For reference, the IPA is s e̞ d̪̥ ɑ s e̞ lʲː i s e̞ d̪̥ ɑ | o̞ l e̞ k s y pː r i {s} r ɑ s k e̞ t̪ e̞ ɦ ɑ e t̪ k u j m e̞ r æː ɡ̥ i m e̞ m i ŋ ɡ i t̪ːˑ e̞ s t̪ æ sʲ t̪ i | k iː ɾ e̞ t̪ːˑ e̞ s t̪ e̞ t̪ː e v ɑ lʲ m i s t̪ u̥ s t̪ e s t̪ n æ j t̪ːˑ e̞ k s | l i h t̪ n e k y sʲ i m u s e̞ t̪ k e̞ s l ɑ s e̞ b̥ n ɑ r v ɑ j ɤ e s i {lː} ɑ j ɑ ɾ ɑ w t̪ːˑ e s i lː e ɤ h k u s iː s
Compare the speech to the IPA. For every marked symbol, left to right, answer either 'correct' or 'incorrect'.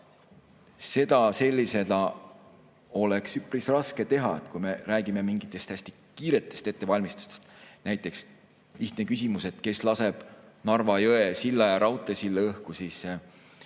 correct, correct

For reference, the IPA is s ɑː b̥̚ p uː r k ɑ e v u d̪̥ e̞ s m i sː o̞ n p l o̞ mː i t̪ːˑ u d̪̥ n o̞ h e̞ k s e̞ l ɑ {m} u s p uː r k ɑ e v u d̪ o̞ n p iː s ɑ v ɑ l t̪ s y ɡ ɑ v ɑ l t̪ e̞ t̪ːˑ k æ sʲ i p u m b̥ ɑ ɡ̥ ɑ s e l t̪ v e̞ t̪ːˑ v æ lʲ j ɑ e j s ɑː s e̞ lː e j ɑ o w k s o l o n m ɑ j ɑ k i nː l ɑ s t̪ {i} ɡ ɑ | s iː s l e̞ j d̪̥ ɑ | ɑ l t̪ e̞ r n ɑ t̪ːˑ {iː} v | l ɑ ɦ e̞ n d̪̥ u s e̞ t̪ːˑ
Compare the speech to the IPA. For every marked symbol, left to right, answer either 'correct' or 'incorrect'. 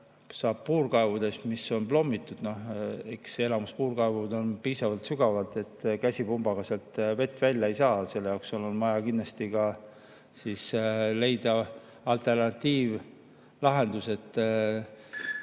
correct, correct, correct

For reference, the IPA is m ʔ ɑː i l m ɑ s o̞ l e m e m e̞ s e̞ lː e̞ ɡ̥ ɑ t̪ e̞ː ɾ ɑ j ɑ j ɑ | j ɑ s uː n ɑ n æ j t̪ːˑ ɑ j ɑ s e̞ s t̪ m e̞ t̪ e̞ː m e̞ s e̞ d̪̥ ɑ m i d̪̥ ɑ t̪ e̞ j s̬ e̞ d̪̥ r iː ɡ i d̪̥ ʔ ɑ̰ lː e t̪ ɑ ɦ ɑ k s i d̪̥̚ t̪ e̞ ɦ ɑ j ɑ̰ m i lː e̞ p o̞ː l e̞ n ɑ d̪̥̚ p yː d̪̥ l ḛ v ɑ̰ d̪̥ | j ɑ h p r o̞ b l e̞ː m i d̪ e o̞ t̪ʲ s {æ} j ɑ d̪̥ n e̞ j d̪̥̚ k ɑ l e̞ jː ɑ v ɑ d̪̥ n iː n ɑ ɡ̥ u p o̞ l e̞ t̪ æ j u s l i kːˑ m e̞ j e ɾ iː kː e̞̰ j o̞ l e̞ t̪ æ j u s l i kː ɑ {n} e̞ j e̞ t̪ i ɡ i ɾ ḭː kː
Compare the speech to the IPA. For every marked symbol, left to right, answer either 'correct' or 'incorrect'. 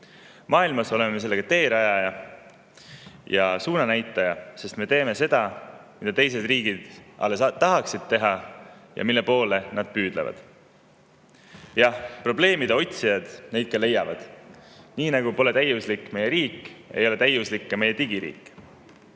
incorrect: i, incorrect: m

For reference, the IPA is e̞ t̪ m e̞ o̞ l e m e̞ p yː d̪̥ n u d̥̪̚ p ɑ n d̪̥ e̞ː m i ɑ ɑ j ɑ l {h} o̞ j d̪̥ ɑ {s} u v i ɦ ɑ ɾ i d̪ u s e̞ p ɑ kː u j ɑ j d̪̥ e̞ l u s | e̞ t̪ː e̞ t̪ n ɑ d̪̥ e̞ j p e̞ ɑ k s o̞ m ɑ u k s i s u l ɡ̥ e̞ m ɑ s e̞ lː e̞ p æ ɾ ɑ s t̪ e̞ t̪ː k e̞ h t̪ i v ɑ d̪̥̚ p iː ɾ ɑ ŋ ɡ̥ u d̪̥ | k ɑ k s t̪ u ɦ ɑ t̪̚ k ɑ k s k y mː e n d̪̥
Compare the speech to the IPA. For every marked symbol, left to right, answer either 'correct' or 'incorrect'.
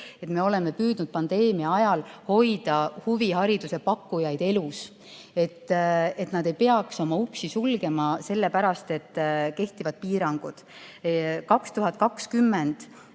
correct, incorrect: h

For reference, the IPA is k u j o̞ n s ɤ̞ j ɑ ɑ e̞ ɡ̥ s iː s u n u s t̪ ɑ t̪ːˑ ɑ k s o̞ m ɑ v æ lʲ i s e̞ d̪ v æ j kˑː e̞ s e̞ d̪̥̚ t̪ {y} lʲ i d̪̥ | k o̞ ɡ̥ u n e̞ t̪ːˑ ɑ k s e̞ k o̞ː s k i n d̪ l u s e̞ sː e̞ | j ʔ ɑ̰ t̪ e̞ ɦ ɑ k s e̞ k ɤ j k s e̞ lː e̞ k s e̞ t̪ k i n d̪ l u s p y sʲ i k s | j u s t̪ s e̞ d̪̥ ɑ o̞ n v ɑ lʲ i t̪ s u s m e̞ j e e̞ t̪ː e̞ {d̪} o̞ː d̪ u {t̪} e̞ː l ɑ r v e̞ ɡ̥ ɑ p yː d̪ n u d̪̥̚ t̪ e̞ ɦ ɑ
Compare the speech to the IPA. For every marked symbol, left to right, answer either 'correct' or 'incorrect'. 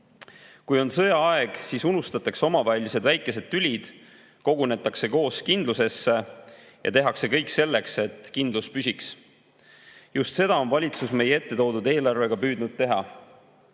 correct, incorrect: t̪, incorrect: d̪

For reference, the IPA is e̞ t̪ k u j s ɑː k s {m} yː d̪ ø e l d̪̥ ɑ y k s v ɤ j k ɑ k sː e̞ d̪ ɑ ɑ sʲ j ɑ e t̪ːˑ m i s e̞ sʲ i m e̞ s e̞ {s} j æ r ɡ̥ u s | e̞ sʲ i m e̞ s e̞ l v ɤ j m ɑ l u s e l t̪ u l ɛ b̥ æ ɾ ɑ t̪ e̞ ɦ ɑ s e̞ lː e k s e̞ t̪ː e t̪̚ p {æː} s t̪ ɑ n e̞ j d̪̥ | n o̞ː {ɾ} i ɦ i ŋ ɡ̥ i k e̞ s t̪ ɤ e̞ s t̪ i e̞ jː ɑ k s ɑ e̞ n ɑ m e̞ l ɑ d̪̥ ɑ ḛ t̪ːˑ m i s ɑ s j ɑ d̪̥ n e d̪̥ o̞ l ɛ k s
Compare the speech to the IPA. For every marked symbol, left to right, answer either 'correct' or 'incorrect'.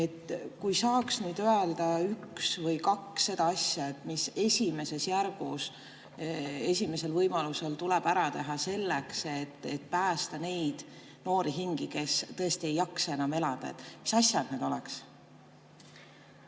incorrect: n, correct, correct, correct

